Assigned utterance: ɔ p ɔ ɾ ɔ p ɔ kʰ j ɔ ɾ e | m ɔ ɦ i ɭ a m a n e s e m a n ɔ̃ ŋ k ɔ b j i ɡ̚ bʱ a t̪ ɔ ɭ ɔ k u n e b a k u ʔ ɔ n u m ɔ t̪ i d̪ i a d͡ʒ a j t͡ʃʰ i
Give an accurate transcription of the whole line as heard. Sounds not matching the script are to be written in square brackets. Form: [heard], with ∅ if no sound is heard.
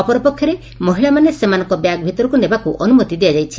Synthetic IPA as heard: ɔ p ɔ ɾ ɔ p ɔ kʰ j ɔ ɾ e | m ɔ ɦ i ɭ a m a n e s e m a n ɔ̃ ŋ k ɔ b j [a] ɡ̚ bʱ [i] t̪ ɔ [ɾ] ɔ k u n e b a k u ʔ ɔ n u m ɔ t̪ i d̪ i a d͡ʒ a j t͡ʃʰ i

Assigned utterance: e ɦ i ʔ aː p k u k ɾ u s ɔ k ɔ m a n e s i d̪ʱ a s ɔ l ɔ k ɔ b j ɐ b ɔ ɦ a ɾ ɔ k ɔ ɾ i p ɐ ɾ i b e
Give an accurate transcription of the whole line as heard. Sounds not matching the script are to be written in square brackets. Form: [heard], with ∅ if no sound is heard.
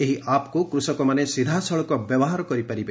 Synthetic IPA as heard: e ɦ i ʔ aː p k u k ɾ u s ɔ k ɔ m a n e s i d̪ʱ a s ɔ [ɭ] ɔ k ɔ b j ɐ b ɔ ɦ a ɾ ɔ k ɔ ɾ i p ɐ ɾ i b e

